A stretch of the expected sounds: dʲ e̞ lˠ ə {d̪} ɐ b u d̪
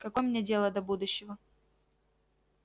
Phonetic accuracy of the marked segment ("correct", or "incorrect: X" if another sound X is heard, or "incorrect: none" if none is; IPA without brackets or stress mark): correct